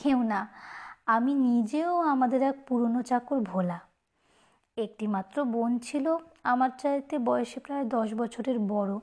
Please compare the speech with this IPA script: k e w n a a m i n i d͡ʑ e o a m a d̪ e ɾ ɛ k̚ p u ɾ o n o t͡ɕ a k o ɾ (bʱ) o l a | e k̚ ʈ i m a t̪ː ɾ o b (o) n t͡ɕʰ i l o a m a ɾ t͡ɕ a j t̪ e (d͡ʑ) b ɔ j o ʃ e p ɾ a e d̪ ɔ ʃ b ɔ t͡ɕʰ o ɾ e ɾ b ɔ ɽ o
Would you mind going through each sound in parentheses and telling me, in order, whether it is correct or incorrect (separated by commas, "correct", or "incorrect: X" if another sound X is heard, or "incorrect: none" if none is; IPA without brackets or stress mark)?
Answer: correct, correct, incorrect: none